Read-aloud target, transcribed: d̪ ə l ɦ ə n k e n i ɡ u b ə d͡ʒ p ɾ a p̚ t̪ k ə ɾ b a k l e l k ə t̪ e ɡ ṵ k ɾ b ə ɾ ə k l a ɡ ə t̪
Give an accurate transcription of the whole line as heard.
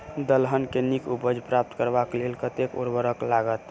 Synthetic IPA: d̪ ə l ɦ ə n k e n i k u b ə d͡ʒ p ɾ a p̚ t̪ k ə ɾ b a k l e l k ə t̪ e k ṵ ɾ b ə ɾ ə k l a ɡ ə t̪